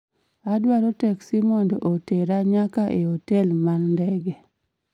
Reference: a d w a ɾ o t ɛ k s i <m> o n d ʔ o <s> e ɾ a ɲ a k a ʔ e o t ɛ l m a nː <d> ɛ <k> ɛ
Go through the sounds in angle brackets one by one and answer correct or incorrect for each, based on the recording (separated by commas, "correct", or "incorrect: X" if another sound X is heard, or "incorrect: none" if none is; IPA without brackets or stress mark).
correct, incorrect: t, correct, incorrect: ɡ